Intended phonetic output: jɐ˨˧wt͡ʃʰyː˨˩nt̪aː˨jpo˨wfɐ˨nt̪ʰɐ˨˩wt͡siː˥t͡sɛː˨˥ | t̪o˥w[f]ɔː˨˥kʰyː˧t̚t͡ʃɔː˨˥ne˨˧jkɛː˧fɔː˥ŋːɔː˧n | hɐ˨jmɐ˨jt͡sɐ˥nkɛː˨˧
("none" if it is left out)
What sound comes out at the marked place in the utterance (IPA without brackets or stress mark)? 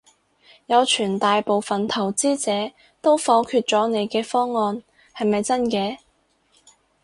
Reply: f